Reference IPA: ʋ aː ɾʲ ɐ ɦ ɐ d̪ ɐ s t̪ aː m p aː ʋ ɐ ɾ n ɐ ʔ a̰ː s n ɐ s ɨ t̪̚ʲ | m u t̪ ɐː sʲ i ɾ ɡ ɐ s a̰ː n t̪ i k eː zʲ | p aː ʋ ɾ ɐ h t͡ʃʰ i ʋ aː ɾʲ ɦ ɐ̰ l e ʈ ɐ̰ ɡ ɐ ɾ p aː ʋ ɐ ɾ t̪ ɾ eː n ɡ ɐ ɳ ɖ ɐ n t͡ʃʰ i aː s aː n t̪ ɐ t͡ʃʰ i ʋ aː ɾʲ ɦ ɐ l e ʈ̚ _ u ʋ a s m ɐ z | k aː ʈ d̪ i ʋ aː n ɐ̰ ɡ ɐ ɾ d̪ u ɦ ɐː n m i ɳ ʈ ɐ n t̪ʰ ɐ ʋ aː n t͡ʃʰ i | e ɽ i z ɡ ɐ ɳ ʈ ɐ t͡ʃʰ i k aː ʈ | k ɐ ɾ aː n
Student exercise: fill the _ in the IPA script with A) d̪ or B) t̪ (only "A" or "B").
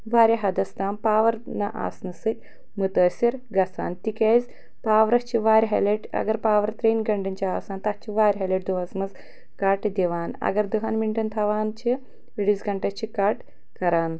A